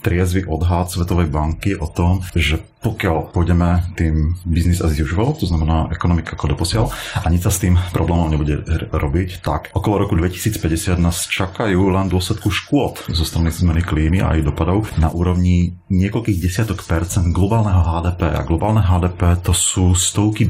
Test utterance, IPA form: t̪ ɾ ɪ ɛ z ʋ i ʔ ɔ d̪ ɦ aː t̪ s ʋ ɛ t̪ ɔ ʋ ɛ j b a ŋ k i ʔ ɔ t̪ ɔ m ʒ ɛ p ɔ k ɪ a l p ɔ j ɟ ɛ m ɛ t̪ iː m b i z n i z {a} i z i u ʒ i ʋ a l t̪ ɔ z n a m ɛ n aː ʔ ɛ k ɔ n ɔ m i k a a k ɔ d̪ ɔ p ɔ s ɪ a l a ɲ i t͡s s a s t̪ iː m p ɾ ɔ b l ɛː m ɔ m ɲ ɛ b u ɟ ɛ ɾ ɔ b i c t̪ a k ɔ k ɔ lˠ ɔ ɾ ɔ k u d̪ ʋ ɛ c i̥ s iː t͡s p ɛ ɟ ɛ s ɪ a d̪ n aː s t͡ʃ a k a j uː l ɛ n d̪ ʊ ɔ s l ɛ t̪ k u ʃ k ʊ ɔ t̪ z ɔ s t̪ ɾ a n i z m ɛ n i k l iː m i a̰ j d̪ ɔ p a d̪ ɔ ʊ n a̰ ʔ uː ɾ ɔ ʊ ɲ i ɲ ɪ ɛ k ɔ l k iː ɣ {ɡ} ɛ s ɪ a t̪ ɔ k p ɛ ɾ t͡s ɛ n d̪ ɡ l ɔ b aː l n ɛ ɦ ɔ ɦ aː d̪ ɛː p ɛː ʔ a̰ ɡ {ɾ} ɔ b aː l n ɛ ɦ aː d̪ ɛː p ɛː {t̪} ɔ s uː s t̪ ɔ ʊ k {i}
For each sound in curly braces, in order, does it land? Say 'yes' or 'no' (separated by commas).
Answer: yes, no, no, yes, yes